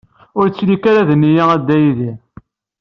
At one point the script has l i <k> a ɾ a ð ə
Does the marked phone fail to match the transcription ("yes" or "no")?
no